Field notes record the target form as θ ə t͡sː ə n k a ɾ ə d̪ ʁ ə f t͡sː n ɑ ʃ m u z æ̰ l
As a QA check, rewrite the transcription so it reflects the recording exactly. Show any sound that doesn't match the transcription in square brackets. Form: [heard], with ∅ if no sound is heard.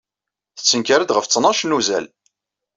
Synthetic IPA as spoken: θ ə t͡sː ə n k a ɾ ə d̪ ʁ ə f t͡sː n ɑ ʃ [n] u z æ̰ l